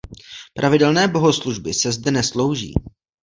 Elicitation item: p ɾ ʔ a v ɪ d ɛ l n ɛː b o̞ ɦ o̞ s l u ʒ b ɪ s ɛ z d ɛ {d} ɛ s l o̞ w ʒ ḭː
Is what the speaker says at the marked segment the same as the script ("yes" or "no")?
no